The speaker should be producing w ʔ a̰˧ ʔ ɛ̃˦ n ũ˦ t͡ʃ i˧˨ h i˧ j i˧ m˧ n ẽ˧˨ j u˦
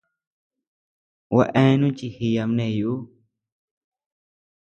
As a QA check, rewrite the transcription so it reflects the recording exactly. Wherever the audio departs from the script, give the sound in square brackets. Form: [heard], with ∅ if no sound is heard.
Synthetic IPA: w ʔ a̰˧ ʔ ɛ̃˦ n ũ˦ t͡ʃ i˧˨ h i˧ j [a˧] m˧ n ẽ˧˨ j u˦